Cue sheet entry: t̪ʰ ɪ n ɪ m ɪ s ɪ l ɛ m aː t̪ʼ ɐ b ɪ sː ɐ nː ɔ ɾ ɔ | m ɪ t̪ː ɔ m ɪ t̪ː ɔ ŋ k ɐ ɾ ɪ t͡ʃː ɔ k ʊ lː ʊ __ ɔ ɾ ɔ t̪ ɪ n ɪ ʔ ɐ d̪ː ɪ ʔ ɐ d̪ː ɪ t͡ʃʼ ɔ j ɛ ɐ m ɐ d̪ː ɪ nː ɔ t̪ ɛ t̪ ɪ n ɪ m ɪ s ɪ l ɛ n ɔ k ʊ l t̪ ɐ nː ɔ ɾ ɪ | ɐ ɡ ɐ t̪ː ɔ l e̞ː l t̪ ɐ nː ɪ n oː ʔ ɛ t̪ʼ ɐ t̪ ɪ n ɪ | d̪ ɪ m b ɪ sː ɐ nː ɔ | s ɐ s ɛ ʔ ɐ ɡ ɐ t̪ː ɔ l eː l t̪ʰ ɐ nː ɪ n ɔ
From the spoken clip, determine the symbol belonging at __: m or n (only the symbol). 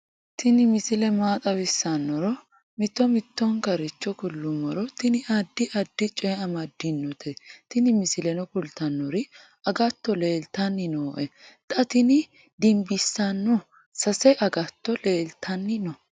m